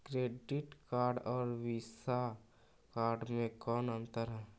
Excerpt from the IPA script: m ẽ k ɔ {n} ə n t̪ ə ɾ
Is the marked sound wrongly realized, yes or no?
no